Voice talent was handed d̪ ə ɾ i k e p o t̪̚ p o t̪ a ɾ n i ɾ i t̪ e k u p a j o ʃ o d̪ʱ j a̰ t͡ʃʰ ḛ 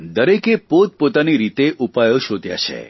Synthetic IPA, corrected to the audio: d̪ ə ɾ e k e p o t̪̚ p o t̪ a n i ɾ i t̪ e ʔ u p a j o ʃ o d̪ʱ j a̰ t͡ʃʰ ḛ

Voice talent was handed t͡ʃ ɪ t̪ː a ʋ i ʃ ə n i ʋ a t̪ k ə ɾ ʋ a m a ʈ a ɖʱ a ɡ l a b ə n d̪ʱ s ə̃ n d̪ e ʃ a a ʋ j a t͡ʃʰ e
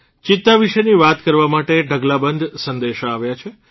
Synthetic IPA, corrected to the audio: t͡ʃ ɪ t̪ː a ʋ i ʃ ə n i ʋ a t̪ k ə ɾ ʋ a m a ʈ e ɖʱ ə ɡ l a b ə n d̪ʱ s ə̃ n d̪ e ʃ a a ʋ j a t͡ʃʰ e

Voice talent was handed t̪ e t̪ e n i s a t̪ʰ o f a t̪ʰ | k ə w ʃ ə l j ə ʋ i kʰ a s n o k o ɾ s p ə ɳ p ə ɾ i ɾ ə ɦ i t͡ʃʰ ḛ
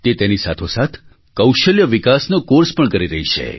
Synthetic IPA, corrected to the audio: t̪ e t̪ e n i s a t̪ʰ o s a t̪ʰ | k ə w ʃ ə l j ə ʋ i k a s n o k o ɾ s p ə ɳ k ə ɾ i ɾ ə ɦ i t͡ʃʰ ḛ

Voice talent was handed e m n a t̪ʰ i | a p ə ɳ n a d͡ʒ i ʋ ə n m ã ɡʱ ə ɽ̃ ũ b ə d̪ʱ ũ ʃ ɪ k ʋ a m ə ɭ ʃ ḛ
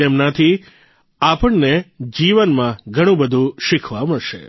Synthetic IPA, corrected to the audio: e m n a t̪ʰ i | a p ə ɳ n e d͡ʒ i ʋ ə n m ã ɡʱ ə ɽ̃ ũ b ə d̪ʱ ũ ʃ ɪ kʰ ʋ a m ə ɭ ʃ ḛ

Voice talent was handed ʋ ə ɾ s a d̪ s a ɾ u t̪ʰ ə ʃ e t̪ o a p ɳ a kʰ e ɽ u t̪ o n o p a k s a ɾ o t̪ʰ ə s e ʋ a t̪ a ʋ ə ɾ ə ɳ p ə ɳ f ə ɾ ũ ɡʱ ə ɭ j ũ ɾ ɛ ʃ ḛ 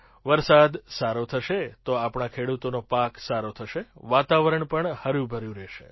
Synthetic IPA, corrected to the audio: ʋ ə ɾ s a d̪ s a ɾ o t̪ʰ ə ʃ e t̪ o a p ɳ a kʰ e ɽ u t̪ o n o p a k s a ɾ o t̪ʰ ə ʃ e ʋ a t̪ a ʋ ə ɾ ə ɳ p ə ɳ h ə ɾ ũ bʱ ə ɾ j ũ ɾ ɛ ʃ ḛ

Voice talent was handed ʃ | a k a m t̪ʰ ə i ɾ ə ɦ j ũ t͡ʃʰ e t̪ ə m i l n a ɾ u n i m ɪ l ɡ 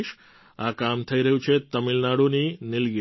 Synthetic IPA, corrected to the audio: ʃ | a k a m t̪ʰ ə i ɾ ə ɦ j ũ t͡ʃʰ e t̪ ə m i l n a ɽ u n i n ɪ l ɡ

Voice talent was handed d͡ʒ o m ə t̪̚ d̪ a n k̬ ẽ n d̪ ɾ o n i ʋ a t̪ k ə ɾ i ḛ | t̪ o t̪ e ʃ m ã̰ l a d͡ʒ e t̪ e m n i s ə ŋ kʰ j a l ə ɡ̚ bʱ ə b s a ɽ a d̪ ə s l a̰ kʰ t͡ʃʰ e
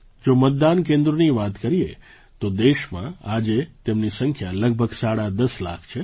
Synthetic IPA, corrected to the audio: d͡ʒ o m ə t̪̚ d̪ a n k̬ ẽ n d̪ ɾ o n i ʋ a t̪ k ə ɾ i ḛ | t̪ o d̪ e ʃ m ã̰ a d͡ʒ e t̪ e m n i s ə ŋ kʰ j a l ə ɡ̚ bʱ ə ɡ s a ɽ a d̪ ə s l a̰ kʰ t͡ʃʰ e

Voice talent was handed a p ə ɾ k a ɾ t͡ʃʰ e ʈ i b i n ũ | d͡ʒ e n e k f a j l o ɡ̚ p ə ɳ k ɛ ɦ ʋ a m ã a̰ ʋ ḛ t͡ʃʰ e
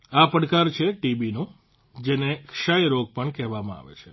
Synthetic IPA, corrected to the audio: a p ə ɽ k a ɾ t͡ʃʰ e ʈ i b i n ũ | d͡ʒ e n e k ʃ a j ɾ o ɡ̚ p ə ɳ k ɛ ɦ ʋ a m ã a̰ ʋ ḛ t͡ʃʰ e

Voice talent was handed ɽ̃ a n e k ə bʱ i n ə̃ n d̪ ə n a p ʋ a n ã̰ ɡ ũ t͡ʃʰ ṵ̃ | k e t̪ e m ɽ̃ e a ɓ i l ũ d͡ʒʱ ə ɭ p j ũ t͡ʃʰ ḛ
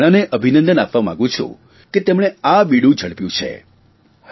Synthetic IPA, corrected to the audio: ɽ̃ a n e ʔ ə bʱ i n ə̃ n d̪ ə n a p ʋ a m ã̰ ɡ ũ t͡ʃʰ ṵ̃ | k e t̪ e m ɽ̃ e a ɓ i ɽ ũ d͡ʒʱ ə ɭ p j ũ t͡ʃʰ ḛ

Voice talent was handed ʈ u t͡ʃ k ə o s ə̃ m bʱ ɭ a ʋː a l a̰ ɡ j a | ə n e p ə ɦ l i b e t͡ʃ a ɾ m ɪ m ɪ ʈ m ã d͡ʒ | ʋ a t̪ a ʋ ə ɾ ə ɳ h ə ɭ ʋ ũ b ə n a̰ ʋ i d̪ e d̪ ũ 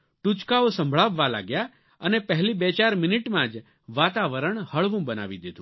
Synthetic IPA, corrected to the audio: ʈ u t͡ʃ k a o s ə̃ m bʱ ɭ a ʋː a l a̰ ɡ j a | ə n e p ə ɦ l i b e t͡ʃ a ɾ m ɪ n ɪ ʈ m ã d͡ʒ | ʋ a t̪ a ʋ ə ɾ ə ɳ h ə ɭ ʋ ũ b ə n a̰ ʋ i d̪ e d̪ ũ

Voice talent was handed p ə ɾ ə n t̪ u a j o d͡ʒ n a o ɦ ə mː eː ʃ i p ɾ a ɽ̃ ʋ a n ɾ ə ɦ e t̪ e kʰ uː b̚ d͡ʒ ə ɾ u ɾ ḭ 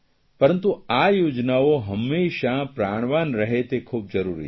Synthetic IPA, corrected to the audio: p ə ɾ ə n t̪ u a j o d͡ʒ n a o ɦ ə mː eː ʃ a p ɾ a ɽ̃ ʋ a n ɾ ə ɦ e t̪ e kʰ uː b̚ d͡ʒ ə ɾ u ɾ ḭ

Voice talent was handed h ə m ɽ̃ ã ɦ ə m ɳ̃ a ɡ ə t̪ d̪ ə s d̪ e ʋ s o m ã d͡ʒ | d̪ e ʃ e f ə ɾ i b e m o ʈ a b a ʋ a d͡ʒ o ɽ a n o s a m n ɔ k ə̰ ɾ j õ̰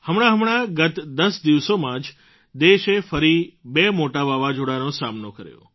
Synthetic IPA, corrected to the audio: h ə m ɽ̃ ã ɦ ə m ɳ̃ a ɡ ə t̪ d̪ ə s d̪ i ʋ s o m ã d͡ʒ | d̪ e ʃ e f ə ɾ i b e m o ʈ a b a ʋ a d͡ʒ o ɽ a n o s a m n o k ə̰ ɾ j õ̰

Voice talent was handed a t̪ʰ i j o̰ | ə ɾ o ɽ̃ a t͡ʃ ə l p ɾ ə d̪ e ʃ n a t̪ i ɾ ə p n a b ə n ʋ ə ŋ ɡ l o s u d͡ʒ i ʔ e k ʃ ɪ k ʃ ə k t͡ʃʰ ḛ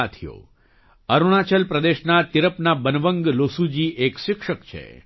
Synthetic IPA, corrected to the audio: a t̪ʰ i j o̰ | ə ɾ u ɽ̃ a t͡ʃ ə l p ɾ ə d̪ e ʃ n a t̪ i ɾ ə p n a b ə n ʋ ə ŋ ɡ l o s u d͡ʒ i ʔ e k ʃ ɪ k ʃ ə k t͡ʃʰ ḛ

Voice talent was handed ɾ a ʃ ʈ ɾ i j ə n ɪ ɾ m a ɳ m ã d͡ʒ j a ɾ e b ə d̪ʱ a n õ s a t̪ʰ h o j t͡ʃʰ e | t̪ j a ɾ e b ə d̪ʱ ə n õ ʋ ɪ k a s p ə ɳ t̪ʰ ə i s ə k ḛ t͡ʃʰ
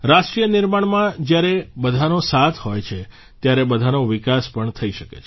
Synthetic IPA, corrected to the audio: ɾ a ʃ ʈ ɾ i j ə n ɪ ɾ m a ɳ m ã d͡ʒ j a ɾ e b ə d̪ʱ a n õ s a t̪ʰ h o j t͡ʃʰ e | t̪ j a ɾ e b ə d̪ʱ a n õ ʋ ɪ k a s p ə ɳ t̪ʰ ə i ʃ ə k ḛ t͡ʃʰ

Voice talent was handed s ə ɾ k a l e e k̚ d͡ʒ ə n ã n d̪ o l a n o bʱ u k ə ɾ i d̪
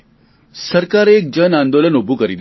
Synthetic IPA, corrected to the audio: s ə ɾ k a ɾ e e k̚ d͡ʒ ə n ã n d̪ o l ə n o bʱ u k ə ɾ i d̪

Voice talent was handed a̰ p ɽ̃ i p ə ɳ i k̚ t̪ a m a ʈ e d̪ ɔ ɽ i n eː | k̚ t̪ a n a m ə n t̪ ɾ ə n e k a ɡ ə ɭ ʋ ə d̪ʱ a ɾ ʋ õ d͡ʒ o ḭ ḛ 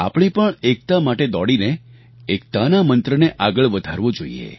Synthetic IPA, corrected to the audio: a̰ p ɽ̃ i p ə ɳ e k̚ t̪ a m a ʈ e d̪ ɔ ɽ i n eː | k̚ t̪ a n a m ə n t̪ ɾ ə n e ʔ a ɡ ə ɭ ʋ ə d̪ʱ a ɾ ʋ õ d͡ʒ o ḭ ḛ

